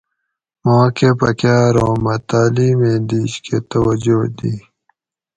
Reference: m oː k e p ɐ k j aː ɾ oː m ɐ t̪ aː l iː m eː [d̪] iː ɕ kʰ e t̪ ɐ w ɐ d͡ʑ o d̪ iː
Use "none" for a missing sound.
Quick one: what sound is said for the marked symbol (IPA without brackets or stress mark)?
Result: d̪